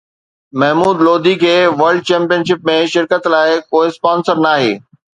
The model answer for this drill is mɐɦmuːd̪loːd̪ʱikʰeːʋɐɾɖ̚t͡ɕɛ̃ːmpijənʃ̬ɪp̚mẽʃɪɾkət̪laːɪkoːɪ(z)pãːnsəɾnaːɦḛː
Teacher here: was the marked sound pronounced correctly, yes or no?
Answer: no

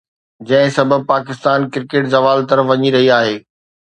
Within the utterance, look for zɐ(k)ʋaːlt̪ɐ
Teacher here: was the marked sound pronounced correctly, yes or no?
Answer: no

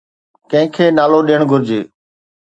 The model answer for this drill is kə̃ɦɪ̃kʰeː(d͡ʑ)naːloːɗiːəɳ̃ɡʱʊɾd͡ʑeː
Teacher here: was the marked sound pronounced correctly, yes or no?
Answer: no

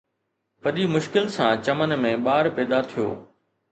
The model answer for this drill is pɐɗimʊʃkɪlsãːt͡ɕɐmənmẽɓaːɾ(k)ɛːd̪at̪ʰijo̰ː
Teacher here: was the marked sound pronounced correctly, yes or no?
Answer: no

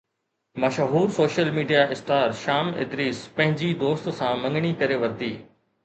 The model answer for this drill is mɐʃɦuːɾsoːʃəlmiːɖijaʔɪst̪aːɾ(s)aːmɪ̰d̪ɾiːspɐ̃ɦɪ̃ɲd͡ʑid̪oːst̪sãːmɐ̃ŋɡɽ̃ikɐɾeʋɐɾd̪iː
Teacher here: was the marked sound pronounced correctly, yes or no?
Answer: no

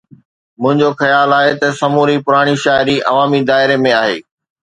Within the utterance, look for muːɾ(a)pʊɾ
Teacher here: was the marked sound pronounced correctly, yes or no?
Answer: no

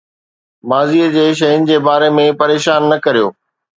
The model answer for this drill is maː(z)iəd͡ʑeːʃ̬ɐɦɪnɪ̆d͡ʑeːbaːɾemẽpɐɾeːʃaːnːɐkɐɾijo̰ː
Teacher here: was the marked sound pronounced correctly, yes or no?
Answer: yes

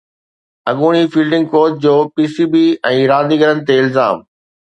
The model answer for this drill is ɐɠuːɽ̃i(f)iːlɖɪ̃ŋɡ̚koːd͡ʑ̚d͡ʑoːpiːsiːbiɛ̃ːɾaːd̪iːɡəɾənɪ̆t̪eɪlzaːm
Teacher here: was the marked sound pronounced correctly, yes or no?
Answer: yes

